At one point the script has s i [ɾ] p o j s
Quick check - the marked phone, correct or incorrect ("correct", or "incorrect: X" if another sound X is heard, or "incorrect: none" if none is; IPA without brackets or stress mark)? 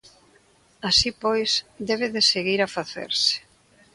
incorrect: none